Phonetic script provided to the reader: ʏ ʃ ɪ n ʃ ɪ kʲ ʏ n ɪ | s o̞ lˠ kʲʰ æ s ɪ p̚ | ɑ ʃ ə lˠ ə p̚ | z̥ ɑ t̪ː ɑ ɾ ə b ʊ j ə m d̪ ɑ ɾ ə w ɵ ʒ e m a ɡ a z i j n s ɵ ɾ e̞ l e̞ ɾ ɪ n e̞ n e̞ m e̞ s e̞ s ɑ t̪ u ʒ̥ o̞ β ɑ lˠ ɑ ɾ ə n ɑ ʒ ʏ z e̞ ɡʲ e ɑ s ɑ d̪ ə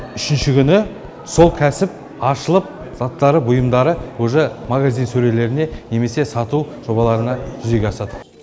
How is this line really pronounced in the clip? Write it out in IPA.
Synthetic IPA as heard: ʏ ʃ ɪ n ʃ ɪ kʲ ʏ n ɪ | s o̞ lˠ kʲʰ æ s ɪ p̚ | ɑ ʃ ə lˠ ə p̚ | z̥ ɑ t̪ː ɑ ɾ ə b ʊ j ə m d̪ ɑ ɾ ə w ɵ ʒ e m a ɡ a z i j n s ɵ ɾ e̞ l e̞ ɾ ɪ n e̞ n e̞ m e̞ s e̞ s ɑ t̪ u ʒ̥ o̞ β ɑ lˠ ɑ ɾ ə n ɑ ʒ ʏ z e̞ ɡʲ e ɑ s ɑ d̪ ə